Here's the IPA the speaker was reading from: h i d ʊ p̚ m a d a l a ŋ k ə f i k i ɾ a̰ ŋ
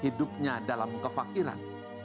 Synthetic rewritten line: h i d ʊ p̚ ɲ a d a l a m k ə f a k i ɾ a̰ n